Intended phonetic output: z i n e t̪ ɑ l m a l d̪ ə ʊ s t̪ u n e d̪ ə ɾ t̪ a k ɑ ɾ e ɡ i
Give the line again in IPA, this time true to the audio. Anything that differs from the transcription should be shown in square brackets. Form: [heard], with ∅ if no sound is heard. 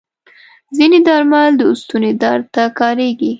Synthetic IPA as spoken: z i n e [d̪] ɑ [ɾ] m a l d̪ ə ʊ s t̪ u n e d̪ [ɑ] ɾ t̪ a k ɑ ɾ e ɡ i